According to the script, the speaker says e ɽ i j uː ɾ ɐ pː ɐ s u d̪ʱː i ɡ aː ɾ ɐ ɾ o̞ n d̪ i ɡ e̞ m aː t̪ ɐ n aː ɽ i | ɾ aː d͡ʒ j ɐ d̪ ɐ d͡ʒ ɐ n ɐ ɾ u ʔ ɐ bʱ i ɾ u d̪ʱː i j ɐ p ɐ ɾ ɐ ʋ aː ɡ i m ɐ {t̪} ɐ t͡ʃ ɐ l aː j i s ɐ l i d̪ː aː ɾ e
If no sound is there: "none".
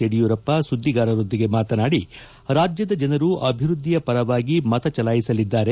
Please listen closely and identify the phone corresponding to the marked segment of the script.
t̪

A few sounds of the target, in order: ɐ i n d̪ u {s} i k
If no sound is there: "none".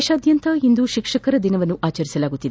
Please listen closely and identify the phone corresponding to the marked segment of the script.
ʃ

